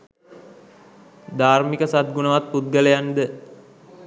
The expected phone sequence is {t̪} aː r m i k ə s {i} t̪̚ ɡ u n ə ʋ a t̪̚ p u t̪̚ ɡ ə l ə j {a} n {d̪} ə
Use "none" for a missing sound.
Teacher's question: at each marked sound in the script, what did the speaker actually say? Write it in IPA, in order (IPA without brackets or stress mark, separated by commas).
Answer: d̪, a, a, d̪